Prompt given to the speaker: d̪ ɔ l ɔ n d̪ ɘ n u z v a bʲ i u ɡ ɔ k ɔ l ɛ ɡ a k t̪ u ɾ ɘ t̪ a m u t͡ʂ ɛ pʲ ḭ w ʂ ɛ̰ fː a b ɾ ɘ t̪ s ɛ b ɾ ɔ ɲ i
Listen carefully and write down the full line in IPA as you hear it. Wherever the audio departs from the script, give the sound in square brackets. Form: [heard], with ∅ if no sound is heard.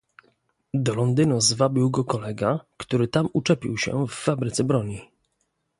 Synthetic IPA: d̪ ɔ l ɔ n d̪ ɘ n u z v a bʲ i [w] ɡ ɔ k ɔ l ɛ ɡ a k t̪ u ɾ ɘ t̪ a m u t͡ʂ ɛ pʲ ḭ w [ɕ] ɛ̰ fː a b ɾ ɘ t̪ s ɛ b ɾ ɔ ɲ i